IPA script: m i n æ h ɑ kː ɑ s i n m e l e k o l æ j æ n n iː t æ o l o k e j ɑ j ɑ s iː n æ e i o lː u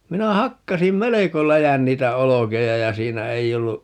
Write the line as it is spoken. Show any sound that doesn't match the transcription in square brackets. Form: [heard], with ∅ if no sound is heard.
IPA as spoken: m i n æ h ɑ kː ɑ s i [m] m e l e k o l æ j æ n n iː t æ o l o k e j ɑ j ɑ s iː n æ e i o lː u